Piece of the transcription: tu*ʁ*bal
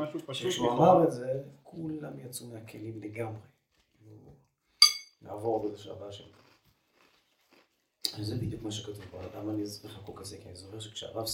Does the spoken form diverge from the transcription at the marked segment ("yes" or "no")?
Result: yes